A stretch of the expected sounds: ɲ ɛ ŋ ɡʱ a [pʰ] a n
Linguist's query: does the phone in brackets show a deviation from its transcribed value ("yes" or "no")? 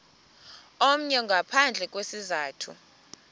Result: no